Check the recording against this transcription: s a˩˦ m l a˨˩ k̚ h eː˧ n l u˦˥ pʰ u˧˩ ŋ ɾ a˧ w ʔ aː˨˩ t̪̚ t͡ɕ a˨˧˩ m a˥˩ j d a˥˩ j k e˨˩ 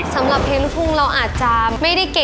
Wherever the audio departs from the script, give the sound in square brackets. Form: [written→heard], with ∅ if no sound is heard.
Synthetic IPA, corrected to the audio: s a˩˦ m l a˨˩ [k̚→p̚] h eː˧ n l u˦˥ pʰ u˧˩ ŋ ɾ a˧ w ʔ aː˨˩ t̪̚ t͡ɕ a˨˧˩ m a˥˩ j d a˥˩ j k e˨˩

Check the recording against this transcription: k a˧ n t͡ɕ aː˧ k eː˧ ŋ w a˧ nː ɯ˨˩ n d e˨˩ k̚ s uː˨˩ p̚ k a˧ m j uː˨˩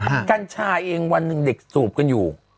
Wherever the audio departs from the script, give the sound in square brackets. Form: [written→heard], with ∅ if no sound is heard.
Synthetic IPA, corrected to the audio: k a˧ n [t͡ɕ→t͡ɕʰ] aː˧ [k→ʔ] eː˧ ŋ w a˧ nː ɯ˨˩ [n→ŋ] d e˨˩ k̚ s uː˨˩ p̚ k a˧ [m→n] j uː˨˩

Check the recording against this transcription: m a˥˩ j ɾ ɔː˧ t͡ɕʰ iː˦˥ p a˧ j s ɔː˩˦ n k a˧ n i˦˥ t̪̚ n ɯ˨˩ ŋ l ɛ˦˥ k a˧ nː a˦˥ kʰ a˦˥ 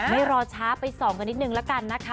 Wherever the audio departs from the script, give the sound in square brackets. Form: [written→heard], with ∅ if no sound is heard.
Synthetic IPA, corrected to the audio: m a˥˩ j ɾ ɔː˧ t͡ɕʰ [iː˦˥→aː˦˥] p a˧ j s ɔː˩˦ [n→ŋ] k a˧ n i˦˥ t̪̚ n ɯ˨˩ ŋ l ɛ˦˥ k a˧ nː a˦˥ kʰ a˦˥

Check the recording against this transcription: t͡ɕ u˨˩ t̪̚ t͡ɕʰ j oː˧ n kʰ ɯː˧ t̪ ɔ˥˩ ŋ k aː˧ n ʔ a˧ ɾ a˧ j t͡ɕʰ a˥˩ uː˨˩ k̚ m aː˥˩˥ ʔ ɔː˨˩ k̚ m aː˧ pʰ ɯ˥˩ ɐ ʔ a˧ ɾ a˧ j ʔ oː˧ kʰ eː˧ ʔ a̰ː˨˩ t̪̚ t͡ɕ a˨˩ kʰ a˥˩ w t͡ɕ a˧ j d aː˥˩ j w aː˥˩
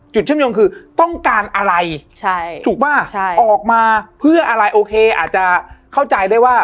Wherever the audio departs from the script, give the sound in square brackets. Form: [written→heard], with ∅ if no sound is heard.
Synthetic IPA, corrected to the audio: t͡ɕ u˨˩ t̪̚ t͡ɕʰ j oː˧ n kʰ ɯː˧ t̪ ɔ˥˩ ŋ k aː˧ n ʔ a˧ ɾ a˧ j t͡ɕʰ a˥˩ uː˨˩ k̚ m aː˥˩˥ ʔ ɔː˨˩ k̚ m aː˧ pʰ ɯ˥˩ ɐ ʔ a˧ ɾ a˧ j ʔ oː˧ kʰ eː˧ ʔ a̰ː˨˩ t̪̚ t͡ɕ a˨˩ kʰ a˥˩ w t͡ɕ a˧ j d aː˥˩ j w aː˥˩

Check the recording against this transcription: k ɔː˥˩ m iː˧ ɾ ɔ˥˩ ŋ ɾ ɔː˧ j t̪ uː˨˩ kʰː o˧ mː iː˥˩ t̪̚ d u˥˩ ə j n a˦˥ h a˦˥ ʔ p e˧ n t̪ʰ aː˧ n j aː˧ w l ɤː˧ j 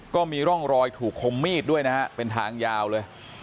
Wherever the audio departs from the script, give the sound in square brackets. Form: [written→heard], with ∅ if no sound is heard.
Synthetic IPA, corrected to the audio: k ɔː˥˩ m iː˧ ɾ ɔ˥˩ ŋ ɾ ɔː˧ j [t̪→t̪ʰ] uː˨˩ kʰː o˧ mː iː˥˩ t̪̚ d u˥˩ ə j n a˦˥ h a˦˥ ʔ p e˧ n t̪ʰ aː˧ [n→ŋ] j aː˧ w l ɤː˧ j

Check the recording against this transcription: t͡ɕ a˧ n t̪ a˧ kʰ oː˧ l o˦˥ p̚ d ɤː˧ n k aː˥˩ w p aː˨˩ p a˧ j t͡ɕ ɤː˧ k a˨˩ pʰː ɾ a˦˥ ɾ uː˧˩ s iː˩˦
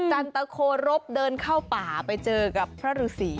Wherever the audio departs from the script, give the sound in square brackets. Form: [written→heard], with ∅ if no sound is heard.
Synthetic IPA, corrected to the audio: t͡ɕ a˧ n t̪ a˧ kʰ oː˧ [l→ɾ] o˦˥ p̚ d ɤː˧ n [k→kʰ] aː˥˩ w p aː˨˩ p a˧ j t͡ɕ ɤː˧ k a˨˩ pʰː ɾ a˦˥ ɾ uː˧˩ s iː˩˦

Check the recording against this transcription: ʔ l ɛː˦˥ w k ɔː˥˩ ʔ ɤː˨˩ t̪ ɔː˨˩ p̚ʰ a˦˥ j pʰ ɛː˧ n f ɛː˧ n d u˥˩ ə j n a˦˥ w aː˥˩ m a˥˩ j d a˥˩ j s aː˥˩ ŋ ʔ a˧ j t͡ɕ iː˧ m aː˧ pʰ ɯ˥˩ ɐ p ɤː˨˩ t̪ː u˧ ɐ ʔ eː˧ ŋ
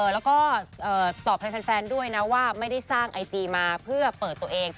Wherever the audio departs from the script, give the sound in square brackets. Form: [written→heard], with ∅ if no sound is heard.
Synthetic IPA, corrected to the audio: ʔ l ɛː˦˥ w k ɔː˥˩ ʔ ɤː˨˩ t̪ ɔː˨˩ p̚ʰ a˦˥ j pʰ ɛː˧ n f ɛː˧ n d u˥˩ ə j n a˦˥ w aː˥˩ m a˥˩ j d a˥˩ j s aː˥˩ ŋ ʔ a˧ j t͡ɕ iː˧ m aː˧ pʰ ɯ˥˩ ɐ p ɤː˨˩ t̪ː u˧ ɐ ʔ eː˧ ŋ

